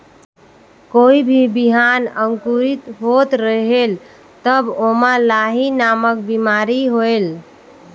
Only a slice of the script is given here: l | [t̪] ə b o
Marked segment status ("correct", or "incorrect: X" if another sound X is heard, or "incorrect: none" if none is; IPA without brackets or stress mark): correct